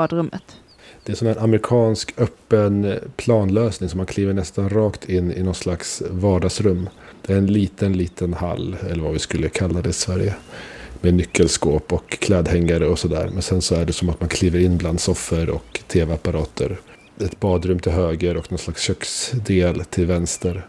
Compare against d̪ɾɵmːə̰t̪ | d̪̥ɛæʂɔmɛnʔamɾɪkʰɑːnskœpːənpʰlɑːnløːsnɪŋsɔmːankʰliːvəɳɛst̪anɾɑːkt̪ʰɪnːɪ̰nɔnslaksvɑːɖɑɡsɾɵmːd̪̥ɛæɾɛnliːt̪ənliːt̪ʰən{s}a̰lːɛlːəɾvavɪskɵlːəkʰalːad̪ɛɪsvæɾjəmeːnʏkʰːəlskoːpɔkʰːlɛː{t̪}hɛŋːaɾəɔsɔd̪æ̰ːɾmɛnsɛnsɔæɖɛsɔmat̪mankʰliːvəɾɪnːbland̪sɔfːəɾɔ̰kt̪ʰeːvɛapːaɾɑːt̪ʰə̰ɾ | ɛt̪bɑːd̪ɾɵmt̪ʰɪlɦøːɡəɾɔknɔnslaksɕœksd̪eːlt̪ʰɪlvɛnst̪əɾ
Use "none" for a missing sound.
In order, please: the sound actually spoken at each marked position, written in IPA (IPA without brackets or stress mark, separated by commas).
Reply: h, d̪